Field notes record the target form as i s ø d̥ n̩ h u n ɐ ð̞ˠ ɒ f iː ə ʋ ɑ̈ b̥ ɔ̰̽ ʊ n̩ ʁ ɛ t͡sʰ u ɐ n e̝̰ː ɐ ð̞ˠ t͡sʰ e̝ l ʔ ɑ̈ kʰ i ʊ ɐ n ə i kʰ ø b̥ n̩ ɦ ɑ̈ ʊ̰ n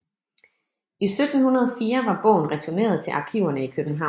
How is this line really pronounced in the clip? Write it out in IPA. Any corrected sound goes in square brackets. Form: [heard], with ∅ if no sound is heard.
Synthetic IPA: i s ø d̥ n̩ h u n ɐ ð̞ˠ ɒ f iː [ɐ] ʋ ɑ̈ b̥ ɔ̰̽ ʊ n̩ ʁ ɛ t͡sʰ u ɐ n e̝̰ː ɐ ð̞ˠ t͡sʰ e̝ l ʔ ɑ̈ kʰ i ʊ ɐ n ə i kʰ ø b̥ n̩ ɦ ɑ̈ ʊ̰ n